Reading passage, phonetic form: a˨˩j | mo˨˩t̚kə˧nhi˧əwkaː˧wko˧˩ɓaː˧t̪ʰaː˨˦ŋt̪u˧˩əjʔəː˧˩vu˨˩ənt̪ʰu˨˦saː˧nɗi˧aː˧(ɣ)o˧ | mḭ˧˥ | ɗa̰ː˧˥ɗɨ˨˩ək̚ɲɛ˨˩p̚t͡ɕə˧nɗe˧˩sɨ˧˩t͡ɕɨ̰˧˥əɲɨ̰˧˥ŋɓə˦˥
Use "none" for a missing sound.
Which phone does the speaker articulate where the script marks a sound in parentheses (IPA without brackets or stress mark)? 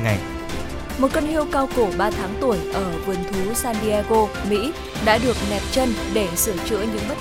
ɣ